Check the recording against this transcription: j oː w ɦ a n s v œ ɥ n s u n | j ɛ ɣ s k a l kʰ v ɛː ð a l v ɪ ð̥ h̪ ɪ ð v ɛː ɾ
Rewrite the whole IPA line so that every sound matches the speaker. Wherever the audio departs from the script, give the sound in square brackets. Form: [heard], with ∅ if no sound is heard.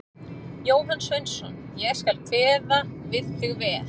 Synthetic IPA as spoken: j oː w ɦ a n s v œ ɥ n s [ɔ] n | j ɛ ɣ s k a l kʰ v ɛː ð a [∅] v ɪ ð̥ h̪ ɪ [ɣ] v ɛː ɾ